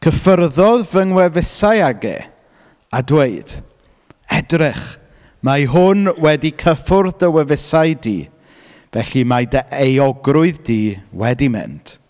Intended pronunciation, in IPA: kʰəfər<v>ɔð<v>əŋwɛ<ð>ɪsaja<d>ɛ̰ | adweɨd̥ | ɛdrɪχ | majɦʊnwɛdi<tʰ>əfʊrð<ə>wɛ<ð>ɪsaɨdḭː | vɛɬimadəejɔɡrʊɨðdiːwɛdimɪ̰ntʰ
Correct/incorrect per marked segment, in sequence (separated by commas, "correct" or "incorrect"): incorrect, correct, incorrect, incorrect, incorrect, correct, incorrect